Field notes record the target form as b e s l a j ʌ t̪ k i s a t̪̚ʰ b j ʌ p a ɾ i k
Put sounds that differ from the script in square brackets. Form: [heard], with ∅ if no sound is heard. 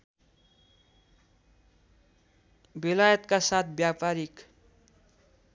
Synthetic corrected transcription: b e [∅] l a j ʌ t̪ k [a] s a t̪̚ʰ b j [a] p a ɾ i k